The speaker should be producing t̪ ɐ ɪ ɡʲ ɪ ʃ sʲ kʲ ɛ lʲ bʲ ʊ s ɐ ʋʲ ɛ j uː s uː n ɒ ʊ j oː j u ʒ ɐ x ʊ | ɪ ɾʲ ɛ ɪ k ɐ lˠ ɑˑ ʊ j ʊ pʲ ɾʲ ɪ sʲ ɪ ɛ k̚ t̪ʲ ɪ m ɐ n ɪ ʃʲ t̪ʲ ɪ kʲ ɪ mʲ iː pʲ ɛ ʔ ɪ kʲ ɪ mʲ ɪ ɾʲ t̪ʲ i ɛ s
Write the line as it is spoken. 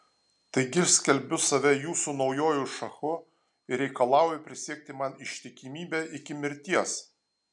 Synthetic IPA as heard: t̪ ɐ ɪ ɡʲ ɪ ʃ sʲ kʲ ɛ lʲ bʲ ʊ s ɐ ʋʲ ɛ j uː s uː n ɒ ʊ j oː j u ʃ ɐ x ʊ | ɪ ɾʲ ɛ ɪ k ɐ lˠ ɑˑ ʊ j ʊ pʲ ɾʲ ɪ sʲ i ɛ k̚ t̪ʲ ɪ m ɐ n ɪ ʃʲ t̪ʲ ɪ kʲ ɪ mʲ iː bʲ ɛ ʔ ɪ kʲ ɪ mʲ ɪ ɾʲ t̪ʲ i ɛ s